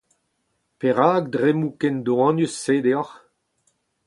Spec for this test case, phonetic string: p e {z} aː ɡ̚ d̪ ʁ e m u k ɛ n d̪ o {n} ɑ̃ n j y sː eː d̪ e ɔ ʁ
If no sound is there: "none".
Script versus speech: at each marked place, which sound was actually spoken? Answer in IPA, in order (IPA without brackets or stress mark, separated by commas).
ʁ, none